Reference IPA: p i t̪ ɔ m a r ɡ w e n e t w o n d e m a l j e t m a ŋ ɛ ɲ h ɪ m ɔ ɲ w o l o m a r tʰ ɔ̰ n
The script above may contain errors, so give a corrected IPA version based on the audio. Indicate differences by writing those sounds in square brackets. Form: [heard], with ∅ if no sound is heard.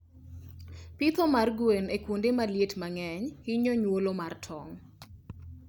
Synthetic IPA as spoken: p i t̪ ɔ m a r ɡ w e n e [k] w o n d e m a l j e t m a ŋ ɛ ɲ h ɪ [ɲ] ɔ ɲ w o l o m a r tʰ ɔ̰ [ŋ]